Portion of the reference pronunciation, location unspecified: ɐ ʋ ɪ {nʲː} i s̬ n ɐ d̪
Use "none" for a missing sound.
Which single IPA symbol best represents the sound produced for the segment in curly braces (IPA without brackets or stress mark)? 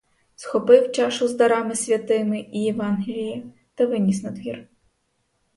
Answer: nʲ